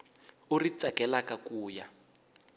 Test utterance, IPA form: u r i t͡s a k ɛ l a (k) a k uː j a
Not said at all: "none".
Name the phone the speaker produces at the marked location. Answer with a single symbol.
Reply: k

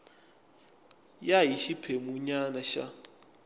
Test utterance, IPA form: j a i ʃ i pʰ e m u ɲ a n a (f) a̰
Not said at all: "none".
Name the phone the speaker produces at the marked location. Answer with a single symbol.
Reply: ʃ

